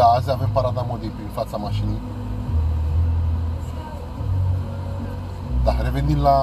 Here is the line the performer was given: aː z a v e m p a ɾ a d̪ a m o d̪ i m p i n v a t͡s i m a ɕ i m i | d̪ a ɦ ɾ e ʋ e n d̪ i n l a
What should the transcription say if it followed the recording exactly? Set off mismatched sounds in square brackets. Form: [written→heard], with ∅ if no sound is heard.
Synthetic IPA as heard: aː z a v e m p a ɾ a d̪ a m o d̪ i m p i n [v→f] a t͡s [i→a] m a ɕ i [m→n] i | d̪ a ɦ ɾ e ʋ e n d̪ i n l a